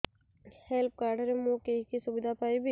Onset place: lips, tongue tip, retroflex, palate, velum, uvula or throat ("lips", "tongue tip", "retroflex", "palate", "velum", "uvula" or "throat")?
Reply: throat